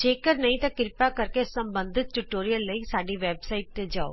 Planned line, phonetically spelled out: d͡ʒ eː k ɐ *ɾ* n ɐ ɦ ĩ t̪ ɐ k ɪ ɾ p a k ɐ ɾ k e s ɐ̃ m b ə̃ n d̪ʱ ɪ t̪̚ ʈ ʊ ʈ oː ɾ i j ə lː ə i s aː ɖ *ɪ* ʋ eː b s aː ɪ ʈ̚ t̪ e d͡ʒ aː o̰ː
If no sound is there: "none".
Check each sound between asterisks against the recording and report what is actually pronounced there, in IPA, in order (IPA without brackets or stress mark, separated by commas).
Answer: ɾ, i